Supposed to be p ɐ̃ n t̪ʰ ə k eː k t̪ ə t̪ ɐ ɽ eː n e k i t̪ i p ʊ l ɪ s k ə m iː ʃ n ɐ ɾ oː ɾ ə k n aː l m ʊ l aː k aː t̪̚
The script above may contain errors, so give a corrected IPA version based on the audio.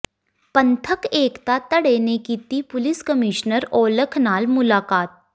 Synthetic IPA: p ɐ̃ n t̪ʰ ə k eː k t̪ a t̪ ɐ ɽ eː n e k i t̪ i p ʊ l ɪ s k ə m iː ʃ n ə ɾ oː l ə kʰ n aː l m ʊ l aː k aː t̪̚